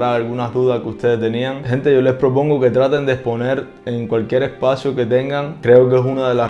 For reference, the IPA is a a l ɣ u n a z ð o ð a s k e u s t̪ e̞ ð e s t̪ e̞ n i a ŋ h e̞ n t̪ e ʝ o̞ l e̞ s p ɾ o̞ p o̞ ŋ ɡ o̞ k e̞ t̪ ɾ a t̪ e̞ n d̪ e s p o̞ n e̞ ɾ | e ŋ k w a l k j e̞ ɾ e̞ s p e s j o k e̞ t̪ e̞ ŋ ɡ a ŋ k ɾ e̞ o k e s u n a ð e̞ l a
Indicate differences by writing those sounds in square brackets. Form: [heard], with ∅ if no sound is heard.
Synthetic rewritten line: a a l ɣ u n a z ð [u] ð a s k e u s t̪ e̞ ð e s t̪ e̞ n i a ŋ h e̞ n t̪ e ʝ o̞ l e̞ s p ɾ o̞ p o̞ ŋ ɡ o̞ k e̞ t̪ ɾ a t̪ e̞ n d̪ e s p o̞ n e̞ ɾ | e ŋ k w a l k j e̞ ɾ e̞ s p [a] s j o k e̞ t̪ e̞ ŋ ɡ a ŋ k ɾ e̞ o k e s u n a ð e̞ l a

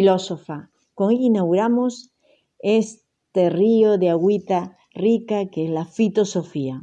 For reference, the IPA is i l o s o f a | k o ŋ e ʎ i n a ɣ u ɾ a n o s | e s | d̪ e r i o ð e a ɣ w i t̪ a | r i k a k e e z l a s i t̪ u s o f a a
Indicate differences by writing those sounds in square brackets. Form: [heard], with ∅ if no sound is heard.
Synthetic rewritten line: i l o s o f a | k o ŋ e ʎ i n a ɣ u ɾ a [m] o s | e s | [t̪] e r i o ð e a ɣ w i t̪ a | r i k a k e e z l a [f] i t̪ [o] s o f [i] a

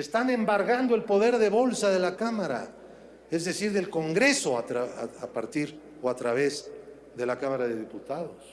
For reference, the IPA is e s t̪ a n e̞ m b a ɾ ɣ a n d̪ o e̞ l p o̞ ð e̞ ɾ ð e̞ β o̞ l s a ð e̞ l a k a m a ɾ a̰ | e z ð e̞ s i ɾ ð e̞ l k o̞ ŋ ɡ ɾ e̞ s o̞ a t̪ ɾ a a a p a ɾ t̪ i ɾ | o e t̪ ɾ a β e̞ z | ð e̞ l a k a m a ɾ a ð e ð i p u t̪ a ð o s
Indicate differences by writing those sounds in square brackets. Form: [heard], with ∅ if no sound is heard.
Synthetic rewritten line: e s t̪ a n e̞ m b a ɾ ɣ a n d̪ o e̞ l p o̞ ð e̞ ɾ ð e̞ β o̞ l s a ð e̞ l a k a m a ɾ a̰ | e z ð e̞ s i ɾ ð e̞ l k o̞ ŋ ɡ ɾ e̞ s o̞ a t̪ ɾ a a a p a ɾ t̪ i ɾ | o [a] t̪ ɾ a β e̞ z | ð e̞ l a k a m a ɾ a ð e ð i p u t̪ a ð o s

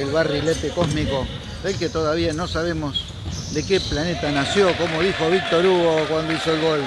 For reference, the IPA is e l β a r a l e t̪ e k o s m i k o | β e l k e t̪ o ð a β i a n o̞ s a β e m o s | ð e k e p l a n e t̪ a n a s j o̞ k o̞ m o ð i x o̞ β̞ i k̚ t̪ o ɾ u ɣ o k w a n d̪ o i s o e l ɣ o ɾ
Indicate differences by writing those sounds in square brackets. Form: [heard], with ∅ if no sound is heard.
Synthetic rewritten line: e l β a r [i] l e t̪ e k o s m i k o | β e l k e t̪ o ð a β i a n o̞ s a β e m o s | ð e k e p l a n e t̪ a n a s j o̞ k o̞ m o ð i x o̞ β̞ i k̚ t̪ o ɾ u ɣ o k w a n d̪ o i s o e l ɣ o [l]

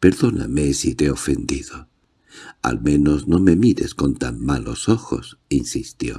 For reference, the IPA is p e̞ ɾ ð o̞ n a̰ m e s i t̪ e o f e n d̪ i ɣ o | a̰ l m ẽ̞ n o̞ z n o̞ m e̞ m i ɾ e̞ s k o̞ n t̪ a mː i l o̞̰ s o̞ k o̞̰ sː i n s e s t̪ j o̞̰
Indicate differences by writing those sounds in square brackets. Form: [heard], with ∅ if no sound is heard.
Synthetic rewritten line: p e̞ ɾ ð o̞ n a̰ m e s i t̪ e o f e n d̪ i [ð] o | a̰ l m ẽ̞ n o̞ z n o̞ m e̞ m i ɾ e̞ s k o̞ n t̪ a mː [a] l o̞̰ s o̞ [x] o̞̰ [s] i n s [i] s t̪ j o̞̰

